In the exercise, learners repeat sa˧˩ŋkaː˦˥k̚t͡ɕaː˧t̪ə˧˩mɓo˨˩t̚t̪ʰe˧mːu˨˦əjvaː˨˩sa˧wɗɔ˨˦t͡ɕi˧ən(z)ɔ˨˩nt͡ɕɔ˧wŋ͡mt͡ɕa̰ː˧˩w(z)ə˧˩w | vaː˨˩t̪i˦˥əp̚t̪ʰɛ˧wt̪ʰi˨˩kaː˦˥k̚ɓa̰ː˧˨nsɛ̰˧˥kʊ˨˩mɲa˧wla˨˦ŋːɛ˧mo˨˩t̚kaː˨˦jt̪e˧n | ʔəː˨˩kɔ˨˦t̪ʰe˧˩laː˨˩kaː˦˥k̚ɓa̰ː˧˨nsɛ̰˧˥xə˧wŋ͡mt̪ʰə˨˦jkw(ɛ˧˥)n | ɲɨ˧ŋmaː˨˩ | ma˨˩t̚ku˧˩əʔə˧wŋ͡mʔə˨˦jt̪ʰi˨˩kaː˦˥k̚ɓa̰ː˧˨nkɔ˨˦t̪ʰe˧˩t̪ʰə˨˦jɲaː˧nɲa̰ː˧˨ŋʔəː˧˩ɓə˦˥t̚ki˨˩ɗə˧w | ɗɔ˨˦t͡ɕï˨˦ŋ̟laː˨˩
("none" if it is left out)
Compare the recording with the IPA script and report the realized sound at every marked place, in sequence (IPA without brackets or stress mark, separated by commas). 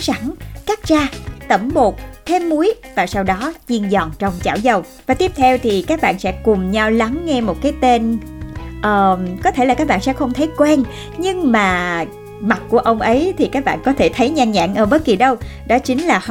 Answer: z, z, ɛ˧